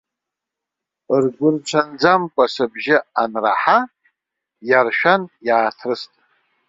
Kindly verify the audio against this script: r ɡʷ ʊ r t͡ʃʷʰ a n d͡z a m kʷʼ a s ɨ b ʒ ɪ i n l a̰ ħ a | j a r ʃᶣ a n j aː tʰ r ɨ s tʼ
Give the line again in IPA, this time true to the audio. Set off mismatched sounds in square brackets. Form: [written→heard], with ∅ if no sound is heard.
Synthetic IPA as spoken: r ɡʷ ʊ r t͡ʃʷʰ a n d͡z a m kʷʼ a s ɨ b ʒ ɪ [i→a] n [l→r] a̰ ħ a | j a r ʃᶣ a n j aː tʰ r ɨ s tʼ